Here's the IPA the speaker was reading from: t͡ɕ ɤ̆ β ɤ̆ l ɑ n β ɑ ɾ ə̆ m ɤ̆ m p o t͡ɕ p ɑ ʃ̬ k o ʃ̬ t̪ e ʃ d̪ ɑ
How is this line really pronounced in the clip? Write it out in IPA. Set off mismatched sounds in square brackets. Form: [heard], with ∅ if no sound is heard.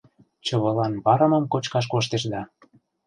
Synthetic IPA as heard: t͡ɕ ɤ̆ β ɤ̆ l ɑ n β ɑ ɾ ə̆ m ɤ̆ m [k] o t͡ɕ [k] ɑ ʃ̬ k o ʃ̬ t̪ e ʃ d̪ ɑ